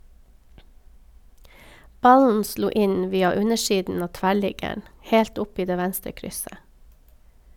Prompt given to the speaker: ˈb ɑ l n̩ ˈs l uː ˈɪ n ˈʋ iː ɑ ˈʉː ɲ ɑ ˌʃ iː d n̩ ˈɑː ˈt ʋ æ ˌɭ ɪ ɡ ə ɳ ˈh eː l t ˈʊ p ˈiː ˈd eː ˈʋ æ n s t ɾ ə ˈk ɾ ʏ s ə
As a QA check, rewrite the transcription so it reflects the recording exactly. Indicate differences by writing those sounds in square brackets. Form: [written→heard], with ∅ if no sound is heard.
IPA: ˈb ɑ l n̩ ˈs l uː ˈɪ n ˈʋ iː ɑ [ˈʉː→ˈʉ] ɲ [ɑ→ə] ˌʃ iː d n̩ ˈɑː ˈt ʋ æ ˌɭ ɪ ɡ ə ɳ ˈh eː l t ˈʊ p ˈiː ˈd eː ˈʋ æ n s t ɾ ə ˈk ɾ ʏ s ə